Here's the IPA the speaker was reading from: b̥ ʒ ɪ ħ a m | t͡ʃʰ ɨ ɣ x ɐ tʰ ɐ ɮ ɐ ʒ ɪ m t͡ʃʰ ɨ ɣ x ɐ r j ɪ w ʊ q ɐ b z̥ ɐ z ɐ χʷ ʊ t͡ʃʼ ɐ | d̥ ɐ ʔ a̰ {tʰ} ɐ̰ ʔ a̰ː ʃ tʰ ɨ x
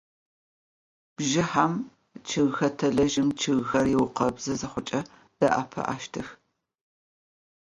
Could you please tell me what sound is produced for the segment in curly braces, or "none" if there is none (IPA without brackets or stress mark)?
pʰ